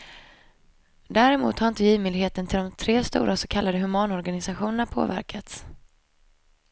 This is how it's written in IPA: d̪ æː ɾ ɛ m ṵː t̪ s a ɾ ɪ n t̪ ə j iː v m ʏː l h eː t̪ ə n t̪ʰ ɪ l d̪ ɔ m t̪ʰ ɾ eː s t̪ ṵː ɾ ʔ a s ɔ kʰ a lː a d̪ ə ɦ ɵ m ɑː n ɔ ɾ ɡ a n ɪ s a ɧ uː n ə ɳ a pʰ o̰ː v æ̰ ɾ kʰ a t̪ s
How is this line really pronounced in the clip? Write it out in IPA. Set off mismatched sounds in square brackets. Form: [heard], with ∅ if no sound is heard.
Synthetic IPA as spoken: d̪ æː ɾ ɛ m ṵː t̪ [h] a ɾ ɪ n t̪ ə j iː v m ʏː l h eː t̪ ə n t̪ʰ ɪ l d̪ ɔ m t̪ʰ ɾ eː s t̪ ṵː ɾ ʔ a s ɔ kʰ a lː a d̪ ə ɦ ɵ m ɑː n ɔ ɾ ɡ a n ɪ s a ɧ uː n ə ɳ a pʰ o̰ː v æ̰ ɾ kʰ a t̪ s